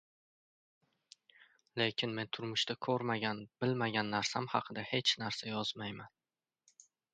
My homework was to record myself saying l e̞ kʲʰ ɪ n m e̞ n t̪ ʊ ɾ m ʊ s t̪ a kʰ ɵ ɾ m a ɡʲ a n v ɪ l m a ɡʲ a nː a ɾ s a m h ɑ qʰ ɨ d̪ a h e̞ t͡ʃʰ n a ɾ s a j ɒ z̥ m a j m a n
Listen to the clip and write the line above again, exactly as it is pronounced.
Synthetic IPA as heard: l e̞ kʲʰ ɪ n m e̞ n t̪ʰ ʊ ɾ m ʊ ʃ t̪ a kʰ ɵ ɾ m a ɡʲ a n b ɪ l m a ɡʲ a nː a ɾ s a m h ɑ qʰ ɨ d̪ a h e̞ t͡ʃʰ n a ɾ s a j ɒ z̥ m a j m a n